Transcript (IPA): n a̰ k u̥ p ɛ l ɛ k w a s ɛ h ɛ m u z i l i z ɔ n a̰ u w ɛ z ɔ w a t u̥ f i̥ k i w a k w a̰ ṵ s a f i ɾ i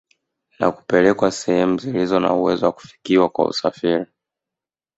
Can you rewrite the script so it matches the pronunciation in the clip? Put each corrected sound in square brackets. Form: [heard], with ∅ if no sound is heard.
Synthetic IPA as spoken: n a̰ k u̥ p ɛ l ɛ k w a s ɛ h ɛ m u z i l i z ɔ n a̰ u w ɛ z ɔ w a [k] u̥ f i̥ k i w a k w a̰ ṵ s a f i ɾ i